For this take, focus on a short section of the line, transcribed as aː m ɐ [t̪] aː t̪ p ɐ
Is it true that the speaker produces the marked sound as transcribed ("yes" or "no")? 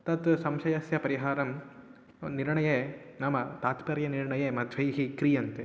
yes